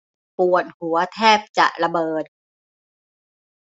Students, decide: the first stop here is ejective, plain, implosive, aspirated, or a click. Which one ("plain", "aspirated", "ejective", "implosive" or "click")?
plain